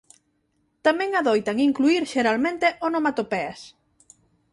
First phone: t̪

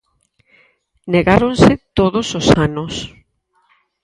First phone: n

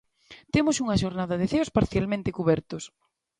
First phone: t̪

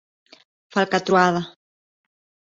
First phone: f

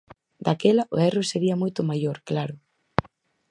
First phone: d̪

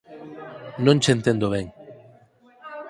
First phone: n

